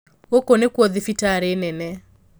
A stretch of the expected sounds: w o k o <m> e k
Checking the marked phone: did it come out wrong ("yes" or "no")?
yes